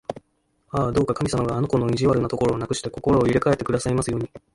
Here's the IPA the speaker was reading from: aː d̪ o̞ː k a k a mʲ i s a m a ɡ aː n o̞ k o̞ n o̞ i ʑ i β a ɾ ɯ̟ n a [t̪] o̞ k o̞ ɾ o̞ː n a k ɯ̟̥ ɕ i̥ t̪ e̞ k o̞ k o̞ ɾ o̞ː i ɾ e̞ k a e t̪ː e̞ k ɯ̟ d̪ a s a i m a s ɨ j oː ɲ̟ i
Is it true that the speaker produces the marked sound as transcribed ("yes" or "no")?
yes